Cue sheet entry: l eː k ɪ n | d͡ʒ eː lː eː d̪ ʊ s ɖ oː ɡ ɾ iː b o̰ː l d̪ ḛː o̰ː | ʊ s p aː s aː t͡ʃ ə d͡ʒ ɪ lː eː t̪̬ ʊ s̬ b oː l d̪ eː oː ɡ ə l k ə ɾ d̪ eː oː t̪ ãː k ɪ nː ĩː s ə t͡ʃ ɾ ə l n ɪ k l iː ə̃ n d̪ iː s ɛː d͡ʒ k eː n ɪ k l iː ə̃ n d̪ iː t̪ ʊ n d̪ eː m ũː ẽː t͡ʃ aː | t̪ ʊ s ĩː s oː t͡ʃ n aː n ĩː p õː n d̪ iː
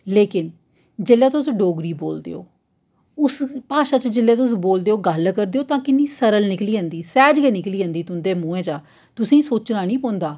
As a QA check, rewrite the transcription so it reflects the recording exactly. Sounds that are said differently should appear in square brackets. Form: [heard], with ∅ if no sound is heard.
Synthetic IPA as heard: l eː k ɪ n | d͡ʒ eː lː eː [t̪] ʊ s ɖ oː ɡ ɾ iː b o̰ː l d̪ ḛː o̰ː | ʊ s p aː [ʃ] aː t͡ʃ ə d͡ʒ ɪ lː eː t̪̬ ʊ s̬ b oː l d̪ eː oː ɡ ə l k ə ɾ d̪ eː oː t̪ ãː k ɪ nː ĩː s ə [∅] ɾ ə l n ɪ k l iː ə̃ n d̪ iː s ɛː d͡ʒ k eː n ɪ k l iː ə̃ n d̪ iː t̪ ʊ n d̪ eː m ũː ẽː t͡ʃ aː | t̪ ʊ s ĩː s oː t͡ʃ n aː n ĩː p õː n d̪ [aː]